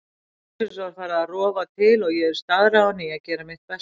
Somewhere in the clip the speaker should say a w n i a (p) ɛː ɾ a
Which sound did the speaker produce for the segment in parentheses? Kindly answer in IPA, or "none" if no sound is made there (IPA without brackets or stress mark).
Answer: c